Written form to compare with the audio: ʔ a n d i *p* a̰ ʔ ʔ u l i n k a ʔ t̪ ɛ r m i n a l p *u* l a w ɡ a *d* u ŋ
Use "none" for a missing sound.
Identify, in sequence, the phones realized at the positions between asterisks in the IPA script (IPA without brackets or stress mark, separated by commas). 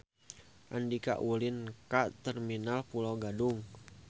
k, u, d